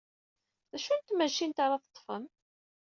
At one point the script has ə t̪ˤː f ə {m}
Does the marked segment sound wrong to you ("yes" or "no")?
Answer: no